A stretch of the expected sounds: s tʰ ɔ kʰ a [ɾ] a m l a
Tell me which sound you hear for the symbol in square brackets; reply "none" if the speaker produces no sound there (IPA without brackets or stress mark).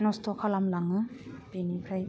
l